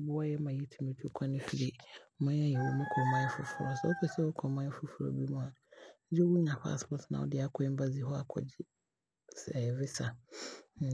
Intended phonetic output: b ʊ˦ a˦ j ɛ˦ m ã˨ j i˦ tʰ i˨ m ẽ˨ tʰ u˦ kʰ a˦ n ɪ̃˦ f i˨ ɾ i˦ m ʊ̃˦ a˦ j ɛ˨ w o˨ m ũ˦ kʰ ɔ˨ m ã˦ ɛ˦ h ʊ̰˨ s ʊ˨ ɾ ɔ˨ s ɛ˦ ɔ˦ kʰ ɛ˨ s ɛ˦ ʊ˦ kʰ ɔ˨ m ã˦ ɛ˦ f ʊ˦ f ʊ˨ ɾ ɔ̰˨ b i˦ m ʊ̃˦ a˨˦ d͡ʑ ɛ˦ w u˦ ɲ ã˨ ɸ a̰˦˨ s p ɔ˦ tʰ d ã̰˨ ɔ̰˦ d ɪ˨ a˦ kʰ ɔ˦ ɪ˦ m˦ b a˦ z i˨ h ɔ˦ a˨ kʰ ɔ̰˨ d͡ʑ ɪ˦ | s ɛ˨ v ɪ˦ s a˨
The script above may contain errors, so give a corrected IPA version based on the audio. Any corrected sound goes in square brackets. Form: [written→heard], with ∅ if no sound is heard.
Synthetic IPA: b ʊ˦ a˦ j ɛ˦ m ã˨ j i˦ tʰ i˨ m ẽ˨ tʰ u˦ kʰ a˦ n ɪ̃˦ f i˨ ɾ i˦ m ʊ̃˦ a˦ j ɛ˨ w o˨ m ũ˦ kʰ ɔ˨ m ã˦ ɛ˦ [h→f] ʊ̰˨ [s→f] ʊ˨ ɾ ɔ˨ s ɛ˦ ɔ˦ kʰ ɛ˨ s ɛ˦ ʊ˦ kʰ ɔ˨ m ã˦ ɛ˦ f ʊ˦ f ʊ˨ ɾ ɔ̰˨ b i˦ m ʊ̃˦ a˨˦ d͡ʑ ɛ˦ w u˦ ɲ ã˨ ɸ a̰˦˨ s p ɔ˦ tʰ [d→n] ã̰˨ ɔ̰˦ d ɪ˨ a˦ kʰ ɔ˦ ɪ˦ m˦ b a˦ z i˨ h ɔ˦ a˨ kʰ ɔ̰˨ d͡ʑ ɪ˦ | s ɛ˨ v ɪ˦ s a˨